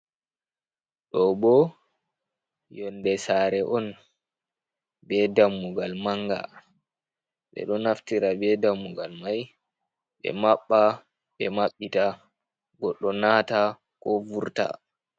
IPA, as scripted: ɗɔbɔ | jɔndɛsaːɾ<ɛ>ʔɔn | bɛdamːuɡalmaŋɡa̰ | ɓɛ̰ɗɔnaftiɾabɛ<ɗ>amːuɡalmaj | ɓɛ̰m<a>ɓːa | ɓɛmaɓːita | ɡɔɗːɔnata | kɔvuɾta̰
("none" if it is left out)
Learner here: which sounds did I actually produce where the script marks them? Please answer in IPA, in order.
ɛ, d, a

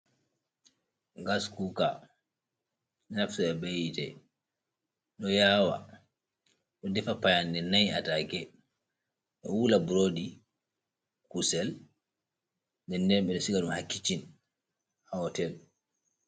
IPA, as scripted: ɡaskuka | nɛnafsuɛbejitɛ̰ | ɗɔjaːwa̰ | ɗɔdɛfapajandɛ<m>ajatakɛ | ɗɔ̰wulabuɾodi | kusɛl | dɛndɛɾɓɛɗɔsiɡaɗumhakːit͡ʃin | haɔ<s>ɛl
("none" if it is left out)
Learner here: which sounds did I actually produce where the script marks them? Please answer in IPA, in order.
n, t

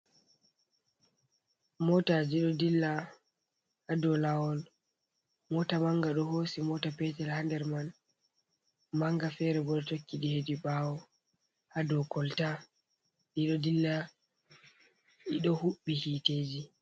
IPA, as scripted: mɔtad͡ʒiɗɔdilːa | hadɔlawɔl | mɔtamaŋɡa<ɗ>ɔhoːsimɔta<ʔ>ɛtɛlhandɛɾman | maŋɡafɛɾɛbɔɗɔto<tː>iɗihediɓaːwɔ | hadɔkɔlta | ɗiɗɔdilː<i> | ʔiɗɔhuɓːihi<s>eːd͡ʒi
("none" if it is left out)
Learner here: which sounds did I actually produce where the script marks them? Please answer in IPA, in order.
ɗ, p, kː, a, t

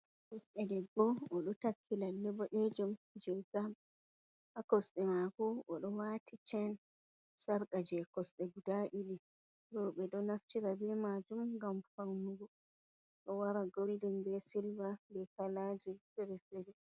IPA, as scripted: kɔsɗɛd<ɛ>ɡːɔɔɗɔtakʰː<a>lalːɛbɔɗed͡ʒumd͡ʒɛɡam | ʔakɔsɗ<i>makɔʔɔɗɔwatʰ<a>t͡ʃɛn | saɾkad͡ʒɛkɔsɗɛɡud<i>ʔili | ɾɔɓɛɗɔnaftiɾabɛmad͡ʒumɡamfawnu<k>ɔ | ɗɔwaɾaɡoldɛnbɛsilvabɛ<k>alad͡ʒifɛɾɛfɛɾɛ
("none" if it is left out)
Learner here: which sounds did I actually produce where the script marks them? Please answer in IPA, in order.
ɛ, i, ɛ, i, a, ɡ, k

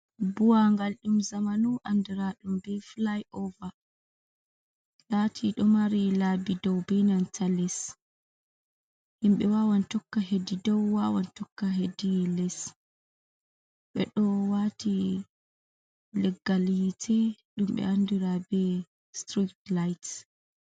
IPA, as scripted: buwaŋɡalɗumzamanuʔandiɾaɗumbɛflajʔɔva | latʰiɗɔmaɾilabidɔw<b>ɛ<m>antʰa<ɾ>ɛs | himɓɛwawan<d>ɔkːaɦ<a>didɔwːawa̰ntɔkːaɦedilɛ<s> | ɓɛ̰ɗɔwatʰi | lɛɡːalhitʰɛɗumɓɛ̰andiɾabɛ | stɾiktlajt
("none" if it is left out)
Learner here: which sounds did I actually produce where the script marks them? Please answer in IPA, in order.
b, n, l, t, e, s

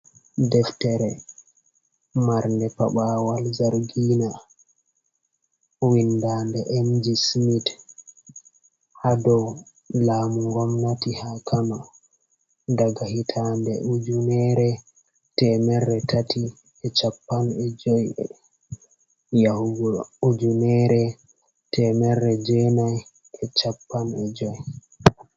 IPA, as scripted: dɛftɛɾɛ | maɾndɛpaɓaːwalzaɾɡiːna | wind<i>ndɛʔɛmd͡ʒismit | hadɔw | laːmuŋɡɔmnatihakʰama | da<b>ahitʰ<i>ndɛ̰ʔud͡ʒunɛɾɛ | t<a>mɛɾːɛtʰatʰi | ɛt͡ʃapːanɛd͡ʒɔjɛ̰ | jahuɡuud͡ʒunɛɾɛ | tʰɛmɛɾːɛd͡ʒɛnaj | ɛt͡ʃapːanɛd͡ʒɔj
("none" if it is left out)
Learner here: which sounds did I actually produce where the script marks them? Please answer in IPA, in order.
a, ɡ, a, ɛ

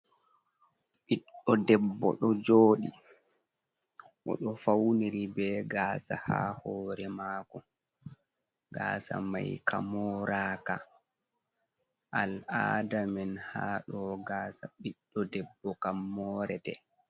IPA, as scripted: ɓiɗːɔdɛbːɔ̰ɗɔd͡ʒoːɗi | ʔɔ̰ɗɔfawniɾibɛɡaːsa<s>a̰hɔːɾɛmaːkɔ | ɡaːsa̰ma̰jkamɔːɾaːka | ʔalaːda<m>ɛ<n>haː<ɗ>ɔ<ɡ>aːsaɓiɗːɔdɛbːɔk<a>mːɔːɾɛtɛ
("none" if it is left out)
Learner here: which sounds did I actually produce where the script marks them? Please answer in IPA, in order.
h, m, n, ɗ, ɡ, a

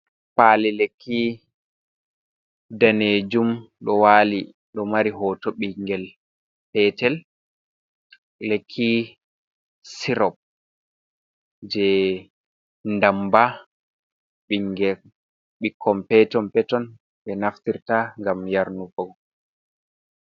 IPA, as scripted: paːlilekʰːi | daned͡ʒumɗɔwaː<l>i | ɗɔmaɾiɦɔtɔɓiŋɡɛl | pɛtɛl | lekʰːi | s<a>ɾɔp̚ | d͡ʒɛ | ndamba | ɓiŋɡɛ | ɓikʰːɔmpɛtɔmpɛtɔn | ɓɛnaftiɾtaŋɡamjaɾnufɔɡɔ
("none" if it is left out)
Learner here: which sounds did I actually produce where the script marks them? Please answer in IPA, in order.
l, i

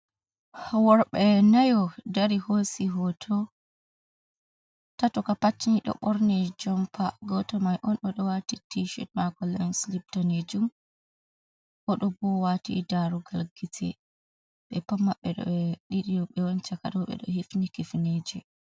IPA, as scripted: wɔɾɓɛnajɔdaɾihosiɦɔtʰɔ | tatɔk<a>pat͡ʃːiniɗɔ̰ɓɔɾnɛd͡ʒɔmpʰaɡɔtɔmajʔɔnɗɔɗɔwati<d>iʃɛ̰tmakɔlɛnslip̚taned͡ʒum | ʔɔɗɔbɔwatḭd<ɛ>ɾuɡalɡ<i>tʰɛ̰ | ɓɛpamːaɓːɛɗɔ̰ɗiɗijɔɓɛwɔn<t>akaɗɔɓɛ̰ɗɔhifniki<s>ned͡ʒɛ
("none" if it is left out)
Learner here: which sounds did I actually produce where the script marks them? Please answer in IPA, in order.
a, t, a, i, t͡ʃ, f

